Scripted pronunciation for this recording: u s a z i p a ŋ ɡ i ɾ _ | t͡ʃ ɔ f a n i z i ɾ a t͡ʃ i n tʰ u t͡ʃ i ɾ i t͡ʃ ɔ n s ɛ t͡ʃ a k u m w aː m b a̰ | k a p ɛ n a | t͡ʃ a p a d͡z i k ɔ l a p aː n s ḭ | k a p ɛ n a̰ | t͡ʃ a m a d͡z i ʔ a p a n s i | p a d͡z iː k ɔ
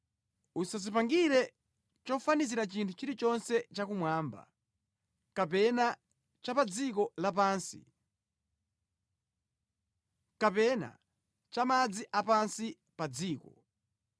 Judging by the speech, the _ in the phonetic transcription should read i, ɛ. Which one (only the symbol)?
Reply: ɛ